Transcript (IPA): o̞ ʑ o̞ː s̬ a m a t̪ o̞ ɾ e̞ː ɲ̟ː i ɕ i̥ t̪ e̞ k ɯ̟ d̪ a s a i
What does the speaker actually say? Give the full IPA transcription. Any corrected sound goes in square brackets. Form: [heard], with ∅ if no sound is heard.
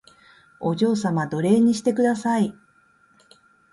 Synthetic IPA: o̞ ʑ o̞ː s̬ a m a [d̪] o̞ ɾ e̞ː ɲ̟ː i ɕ i̥ t̪ e̞ k ɯ̟ d̪ a s a i